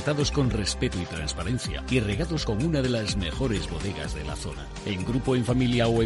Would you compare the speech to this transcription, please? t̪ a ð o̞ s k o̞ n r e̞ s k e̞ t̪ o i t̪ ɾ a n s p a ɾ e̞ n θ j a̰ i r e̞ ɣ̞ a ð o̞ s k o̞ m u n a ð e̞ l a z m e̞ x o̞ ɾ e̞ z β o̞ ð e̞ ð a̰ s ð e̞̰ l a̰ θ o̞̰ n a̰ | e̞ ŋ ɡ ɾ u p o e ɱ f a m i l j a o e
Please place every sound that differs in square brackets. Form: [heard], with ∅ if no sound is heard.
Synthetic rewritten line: t̪ a ð o̞ s k o̞ n r e̞ s [p] e̞ t̪ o i t̪ ɾ a n s p a ɾ e̞ n θ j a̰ i r e̞ ɣ̞ a ð o̞ s k o̞ m u n a ð e̞ l a z m e̞ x o̞ ɾ e̞ z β o̞ ð e̞ [ɣ] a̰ [z] ð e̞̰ l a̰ θ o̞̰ n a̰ | e̞ ŋ ɡ ɾ u p o e ɱ f a m i l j a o e